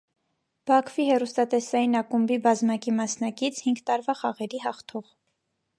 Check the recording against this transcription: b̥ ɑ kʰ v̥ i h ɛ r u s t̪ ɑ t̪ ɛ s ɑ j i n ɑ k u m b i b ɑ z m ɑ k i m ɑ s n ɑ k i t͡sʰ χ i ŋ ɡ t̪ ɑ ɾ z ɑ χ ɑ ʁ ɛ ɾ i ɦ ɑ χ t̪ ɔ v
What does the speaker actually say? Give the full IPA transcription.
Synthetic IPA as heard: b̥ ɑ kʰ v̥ i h ɛ r u s t̪ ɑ t̪ ɛ s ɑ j i n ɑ k u m b i b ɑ z m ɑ k i m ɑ s n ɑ k i t͡sʰ h i ŋ ɡ t̪ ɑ ɾ v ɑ χ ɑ ʁ ɛ ɾ i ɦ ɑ χ t̪ʰ ɔ ʁ